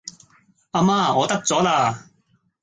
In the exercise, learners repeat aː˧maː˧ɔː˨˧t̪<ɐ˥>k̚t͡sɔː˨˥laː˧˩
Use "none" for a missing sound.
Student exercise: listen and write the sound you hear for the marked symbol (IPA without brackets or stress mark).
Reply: ɐ˥